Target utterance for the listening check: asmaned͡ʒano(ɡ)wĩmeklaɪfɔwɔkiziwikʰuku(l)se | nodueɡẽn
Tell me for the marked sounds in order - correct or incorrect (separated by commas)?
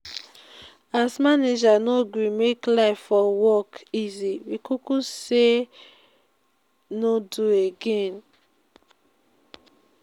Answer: correct, incorrect